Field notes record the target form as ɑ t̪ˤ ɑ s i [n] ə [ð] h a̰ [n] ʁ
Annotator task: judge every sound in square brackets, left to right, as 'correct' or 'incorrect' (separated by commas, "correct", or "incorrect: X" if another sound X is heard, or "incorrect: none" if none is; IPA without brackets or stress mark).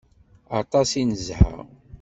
correct, incorrect: z, incorrect: none